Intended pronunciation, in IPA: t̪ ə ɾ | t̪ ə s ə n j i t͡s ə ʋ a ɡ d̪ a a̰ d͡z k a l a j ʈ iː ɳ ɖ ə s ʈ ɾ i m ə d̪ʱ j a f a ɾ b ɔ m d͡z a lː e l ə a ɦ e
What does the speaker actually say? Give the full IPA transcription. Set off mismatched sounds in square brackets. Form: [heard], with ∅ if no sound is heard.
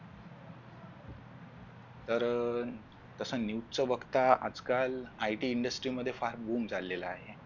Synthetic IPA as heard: t̪ ə ɾ | t̪ ə s ə n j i t͡s ə ʋ [ə] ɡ [t̪] a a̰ d͡z k a l a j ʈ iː ɳ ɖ ə s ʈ ɾ i m ə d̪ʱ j [e] f a ɾ b [u] m d͡z a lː e l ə a ɦ e